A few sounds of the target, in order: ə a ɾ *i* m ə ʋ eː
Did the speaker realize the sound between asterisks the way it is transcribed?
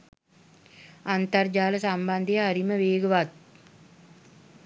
yes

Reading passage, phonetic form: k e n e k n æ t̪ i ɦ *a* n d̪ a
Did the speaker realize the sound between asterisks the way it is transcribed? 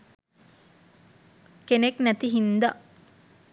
no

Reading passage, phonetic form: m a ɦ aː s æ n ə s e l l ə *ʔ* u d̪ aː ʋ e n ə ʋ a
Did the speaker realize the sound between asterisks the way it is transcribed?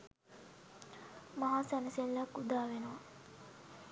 no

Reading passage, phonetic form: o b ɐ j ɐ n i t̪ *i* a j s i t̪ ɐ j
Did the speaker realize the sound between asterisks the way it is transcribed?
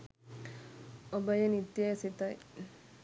no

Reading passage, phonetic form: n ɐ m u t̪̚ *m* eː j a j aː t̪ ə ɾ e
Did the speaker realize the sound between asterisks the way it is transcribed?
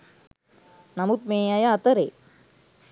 yes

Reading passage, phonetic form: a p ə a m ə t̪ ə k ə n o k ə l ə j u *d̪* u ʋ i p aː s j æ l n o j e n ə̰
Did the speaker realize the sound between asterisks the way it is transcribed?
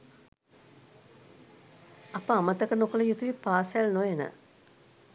no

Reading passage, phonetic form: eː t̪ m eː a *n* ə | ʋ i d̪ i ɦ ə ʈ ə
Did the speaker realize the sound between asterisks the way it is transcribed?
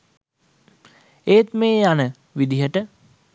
yes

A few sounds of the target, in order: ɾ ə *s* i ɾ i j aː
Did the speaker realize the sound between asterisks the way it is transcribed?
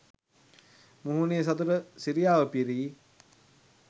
yes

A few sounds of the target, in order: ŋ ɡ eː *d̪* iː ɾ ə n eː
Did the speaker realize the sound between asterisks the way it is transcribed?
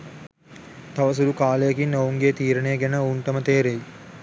no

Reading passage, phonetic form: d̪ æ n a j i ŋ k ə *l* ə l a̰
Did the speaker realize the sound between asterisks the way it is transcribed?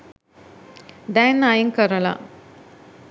no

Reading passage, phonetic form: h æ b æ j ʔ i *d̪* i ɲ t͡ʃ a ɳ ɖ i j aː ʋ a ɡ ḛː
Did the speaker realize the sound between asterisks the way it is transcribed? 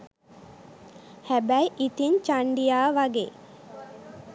no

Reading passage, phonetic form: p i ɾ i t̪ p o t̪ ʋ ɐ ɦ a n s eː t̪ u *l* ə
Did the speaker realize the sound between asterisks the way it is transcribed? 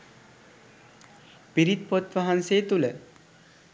yes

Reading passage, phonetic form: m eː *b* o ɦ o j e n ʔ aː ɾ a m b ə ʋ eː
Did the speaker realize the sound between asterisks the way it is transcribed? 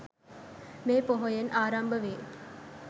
no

